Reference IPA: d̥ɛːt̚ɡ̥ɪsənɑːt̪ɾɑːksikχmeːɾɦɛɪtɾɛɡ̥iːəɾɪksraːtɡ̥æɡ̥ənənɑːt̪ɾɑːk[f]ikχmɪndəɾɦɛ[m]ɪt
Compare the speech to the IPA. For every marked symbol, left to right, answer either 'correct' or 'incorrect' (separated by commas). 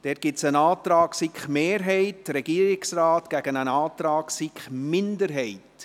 incorrect, incorrect